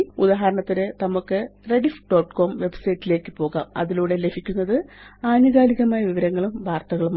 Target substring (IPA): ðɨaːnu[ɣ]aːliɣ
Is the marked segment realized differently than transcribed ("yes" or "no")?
no